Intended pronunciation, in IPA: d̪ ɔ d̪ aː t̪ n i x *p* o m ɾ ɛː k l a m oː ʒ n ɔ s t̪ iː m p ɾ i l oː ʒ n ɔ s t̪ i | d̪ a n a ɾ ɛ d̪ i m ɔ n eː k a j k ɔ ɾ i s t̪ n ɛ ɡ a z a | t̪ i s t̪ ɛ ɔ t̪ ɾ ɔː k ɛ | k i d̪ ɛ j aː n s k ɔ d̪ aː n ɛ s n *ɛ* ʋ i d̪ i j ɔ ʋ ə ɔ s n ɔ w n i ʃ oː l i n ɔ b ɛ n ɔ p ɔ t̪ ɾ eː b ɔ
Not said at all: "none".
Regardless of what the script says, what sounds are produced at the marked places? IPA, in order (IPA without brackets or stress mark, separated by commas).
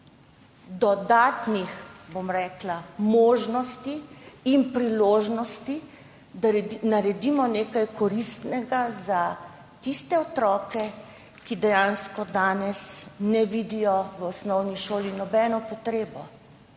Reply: b, ɛ